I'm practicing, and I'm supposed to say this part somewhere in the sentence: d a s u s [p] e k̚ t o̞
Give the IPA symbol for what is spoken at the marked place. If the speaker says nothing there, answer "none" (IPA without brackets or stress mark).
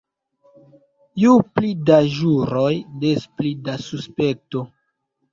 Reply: p